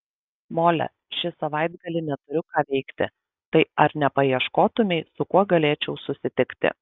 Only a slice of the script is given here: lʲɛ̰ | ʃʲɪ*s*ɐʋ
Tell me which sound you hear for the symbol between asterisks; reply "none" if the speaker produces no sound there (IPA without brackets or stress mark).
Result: s